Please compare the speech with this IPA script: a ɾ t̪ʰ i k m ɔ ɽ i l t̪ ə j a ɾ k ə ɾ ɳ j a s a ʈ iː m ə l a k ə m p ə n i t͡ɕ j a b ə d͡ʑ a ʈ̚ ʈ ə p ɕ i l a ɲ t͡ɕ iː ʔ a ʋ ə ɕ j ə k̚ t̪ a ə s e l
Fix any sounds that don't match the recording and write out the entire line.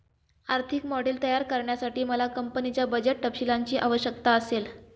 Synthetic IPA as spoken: a ɾ t̪ʰ i k m ɔ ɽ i l t̪ ə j a ɾ k ə ɾ ɳ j a s a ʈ iː m ə l a k ə m p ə n i t͡ɕ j a b ə d͡ʑ e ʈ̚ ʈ ə p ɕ i l a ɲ t͡ɕ iː ʔ a ʋ ə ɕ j ə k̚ t̪ a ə s e l